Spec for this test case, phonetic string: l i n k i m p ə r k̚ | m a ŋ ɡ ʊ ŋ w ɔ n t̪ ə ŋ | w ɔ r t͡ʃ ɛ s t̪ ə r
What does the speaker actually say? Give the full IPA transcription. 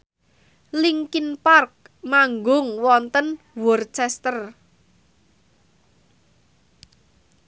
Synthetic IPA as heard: l i ŋ k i n p a r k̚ | m a ŋ ɡ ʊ ŋ w ɔ n t̪ ə n | w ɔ r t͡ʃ ɛ s t̪ ə r